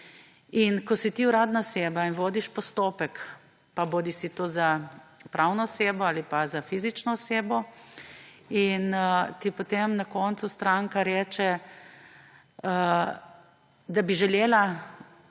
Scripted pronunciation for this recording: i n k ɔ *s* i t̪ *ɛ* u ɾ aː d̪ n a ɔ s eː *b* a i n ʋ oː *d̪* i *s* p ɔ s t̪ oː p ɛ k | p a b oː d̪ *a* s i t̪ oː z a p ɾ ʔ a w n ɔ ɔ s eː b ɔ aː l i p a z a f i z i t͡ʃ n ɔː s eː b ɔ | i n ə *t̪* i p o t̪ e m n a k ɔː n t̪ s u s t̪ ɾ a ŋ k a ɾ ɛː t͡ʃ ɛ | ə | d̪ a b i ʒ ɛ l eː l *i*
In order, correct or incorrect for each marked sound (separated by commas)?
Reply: correct, incorrect, correct, correct, incorrect, incorrect, correct, incorrect